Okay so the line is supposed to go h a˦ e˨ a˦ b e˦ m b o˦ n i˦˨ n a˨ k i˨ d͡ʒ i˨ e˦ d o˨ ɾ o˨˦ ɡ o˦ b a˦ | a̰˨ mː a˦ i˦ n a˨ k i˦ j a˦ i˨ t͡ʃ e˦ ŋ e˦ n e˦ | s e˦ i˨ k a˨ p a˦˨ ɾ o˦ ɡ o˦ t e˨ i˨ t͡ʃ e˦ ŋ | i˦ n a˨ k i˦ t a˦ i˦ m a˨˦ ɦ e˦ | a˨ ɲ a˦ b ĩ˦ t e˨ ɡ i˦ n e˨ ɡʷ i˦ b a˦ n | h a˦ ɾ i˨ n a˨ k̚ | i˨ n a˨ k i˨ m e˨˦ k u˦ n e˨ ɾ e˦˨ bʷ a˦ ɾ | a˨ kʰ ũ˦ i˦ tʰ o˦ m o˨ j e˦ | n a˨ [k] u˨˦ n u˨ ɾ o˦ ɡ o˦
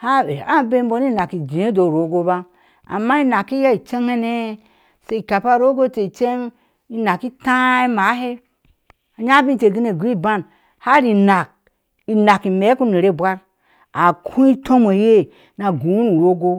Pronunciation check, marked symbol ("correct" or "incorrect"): incorrect